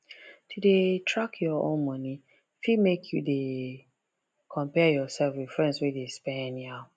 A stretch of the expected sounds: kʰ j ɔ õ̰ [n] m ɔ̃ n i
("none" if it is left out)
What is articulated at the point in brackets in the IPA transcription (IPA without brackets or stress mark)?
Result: n